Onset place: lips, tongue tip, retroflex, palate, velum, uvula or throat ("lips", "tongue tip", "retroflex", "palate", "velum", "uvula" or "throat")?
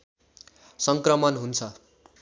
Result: tongue tip